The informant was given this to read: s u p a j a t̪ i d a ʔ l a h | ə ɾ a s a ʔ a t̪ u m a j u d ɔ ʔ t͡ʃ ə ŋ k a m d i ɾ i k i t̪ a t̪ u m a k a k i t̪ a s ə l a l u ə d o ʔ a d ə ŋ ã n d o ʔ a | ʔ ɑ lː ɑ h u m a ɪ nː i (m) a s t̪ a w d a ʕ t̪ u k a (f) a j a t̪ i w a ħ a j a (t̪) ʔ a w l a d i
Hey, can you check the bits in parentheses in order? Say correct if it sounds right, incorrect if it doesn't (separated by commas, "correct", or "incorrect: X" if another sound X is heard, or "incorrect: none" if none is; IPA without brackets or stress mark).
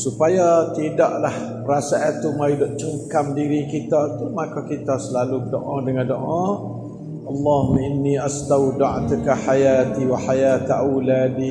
incorrect: none, incorrect: ħ, correct